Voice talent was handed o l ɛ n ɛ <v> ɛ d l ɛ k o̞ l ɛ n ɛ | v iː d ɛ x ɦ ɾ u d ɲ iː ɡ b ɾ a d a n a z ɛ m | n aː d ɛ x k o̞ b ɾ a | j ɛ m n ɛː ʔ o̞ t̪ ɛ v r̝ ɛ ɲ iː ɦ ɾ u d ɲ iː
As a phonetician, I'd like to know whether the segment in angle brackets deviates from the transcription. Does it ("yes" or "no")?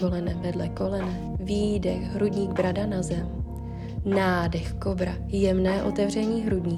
no